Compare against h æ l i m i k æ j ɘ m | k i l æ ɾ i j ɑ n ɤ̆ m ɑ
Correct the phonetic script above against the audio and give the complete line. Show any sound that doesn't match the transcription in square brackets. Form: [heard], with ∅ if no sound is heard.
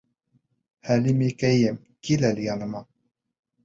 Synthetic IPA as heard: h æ l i m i k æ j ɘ m | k i l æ [l] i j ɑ n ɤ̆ m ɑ